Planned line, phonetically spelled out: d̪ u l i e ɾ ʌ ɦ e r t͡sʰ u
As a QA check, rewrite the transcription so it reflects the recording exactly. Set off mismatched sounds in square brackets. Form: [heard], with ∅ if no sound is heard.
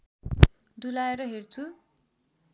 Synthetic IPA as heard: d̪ u l [a] e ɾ ʌ ɦ e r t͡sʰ u

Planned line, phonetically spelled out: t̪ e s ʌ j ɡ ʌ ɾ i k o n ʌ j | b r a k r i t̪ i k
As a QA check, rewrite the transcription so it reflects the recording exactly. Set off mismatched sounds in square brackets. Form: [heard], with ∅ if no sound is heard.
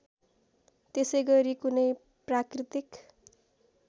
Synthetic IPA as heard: t̪ e s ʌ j ɡ ʌ ɾ i k [u] n ʌ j | [p] r a k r i t̪ i k

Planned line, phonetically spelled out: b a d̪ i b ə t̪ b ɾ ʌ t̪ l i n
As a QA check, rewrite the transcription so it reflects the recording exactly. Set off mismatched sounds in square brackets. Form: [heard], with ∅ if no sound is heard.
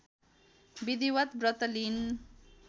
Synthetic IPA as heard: b [i] d̪ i [w] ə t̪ b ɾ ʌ t̪ l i n

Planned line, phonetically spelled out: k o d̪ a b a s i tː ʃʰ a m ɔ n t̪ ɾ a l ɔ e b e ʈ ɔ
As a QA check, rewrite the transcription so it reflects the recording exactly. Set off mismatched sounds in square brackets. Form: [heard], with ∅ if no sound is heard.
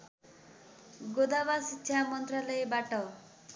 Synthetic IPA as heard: [ɡ] o d̪ a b a s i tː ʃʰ a m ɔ n t̪ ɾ a l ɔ e b [a] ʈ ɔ

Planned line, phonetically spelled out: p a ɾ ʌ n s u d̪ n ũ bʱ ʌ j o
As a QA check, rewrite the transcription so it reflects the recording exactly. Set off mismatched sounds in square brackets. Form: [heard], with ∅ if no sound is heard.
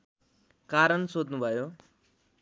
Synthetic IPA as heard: [k] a ɾ [ə] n s [o] d̪ n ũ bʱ [a] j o

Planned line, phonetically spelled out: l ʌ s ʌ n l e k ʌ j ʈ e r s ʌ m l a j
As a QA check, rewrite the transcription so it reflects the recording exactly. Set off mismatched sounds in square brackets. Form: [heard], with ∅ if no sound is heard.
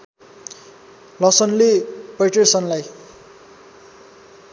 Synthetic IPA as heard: l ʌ s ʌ n l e [p] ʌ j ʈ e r s ʌ [n] l a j

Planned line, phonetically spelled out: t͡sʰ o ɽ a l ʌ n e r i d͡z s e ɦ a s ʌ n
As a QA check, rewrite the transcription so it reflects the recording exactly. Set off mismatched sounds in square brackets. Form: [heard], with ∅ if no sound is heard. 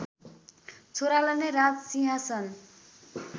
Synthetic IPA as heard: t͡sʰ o [ɾ] a l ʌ n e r [a] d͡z s [i] ɦ a s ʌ n

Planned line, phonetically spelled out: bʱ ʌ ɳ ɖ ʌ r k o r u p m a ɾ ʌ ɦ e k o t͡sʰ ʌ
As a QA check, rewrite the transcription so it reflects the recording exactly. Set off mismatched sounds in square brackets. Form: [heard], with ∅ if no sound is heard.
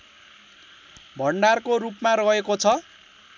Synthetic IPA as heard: bʱ ʌ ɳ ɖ [a] r k o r u p m a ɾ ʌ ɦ e k o t͡sʰ ʌ

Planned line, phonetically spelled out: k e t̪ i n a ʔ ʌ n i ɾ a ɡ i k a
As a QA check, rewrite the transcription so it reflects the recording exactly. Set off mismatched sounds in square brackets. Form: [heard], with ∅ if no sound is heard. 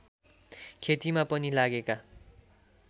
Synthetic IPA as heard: [kʰ] e t̪ i [m] a [p] ʌ n i [l] a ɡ [e] k a

